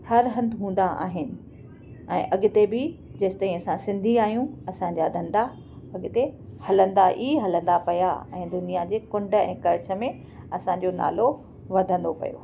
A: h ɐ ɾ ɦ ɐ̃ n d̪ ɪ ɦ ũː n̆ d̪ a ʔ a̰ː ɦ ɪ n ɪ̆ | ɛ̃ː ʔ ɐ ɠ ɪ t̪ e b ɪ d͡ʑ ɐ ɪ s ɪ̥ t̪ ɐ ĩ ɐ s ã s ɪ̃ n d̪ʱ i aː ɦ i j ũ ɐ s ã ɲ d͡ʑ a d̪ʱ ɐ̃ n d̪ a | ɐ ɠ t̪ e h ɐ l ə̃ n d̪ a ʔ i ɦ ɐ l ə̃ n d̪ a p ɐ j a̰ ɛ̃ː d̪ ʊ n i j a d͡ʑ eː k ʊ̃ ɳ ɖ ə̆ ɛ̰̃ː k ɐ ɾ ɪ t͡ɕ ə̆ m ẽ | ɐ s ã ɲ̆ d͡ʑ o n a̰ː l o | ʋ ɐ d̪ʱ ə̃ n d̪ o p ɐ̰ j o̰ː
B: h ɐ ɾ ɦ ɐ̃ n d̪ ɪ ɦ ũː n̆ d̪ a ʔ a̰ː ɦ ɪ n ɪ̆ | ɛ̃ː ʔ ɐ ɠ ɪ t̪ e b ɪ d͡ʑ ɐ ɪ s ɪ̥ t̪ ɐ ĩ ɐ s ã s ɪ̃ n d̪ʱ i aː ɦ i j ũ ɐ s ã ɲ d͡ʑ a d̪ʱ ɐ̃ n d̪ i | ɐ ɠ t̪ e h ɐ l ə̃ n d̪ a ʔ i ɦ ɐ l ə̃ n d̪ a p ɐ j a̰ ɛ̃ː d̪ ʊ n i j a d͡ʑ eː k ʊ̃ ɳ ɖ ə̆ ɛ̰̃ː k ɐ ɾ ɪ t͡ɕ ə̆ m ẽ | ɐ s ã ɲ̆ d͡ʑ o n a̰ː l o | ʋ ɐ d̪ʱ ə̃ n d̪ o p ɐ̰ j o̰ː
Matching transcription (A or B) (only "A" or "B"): A